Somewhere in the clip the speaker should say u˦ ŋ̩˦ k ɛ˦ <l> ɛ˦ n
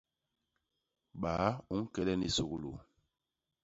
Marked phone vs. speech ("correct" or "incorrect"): correct